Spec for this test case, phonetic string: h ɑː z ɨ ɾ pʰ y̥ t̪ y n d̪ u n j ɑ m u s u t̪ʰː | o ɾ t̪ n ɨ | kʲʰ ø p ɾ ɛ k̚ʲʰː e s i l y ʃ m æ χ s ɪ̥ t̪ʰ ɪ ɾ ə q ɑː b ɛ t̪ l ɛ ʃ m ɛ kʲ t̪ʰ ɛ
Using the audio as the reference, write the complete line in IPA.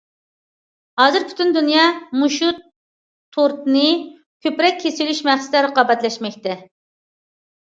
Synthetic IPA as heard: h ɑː z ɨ ɾ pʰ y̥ t̪ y n d̪ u n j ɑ m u ʃ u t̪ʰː | o ɾ t̪ n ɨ | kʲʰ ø p ɾ ɛ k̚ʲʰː e s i l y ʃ m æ χ s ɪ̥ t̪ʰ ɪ ɾ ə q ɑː b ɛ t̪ l ɛ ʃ m ɛ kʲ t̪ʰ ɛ